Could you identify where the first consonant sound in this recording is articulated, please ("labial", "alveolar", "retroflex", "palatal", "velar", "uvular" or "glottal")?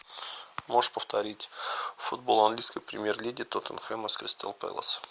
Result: labial